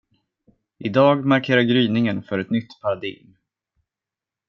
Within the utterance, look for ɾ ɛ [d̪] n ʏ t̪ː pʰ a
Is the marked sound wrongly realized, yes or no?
yes